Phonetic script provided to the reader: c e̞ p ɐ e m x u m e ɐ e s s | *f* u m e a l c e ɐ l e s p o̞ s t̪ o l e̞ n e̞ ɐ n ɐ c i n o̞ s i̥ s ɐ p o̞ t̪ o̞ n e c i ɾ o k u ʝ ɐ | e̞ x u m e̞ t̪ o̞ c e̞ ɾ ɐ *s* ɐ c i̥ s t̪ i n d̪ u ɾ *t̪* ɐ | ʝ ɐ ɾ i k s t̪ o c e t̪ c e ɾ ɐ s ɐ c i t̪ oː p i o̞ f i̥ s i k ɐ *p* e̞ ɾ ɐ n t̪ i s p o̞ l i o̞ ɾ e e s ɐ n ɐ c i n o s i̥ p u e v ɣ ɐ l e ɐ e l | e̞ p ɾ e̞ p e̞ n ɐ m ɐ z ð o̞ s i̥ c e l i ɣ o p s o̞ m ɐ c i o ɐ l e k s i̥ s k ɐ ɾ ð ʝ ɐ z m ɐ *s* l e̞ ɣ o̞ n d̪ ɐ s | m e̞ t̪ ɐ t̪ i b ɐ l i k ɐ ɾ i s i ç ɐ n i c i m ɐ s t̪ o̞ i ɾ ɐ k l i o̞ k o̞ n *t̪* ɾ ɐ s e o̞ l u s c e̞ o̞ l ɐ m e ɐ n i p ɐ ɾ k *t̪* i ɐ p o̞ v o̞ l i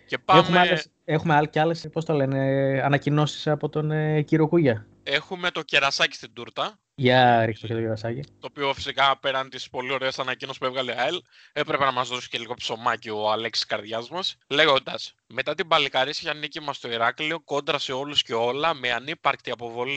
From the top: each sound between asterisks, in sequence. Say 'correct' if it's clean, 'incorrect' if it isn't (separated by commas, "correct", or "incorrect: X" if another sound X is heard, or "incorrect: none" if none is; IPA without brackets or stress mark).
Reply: incorrect: x, correct, correct, correct, correct, incorrect: d̪, correct